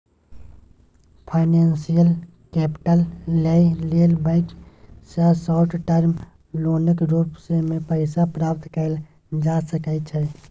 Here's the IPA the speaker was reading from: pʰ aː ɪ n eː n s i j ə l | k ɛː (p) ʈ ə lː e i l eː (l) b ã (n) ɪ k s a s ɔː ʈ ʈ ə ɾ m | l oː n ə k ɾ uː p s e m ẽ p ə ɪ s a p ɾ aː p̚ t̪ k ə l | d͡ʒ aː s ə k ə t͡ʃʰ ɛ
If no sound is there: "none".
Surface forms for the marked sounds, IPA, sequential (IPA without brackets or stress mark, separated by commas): p, l, none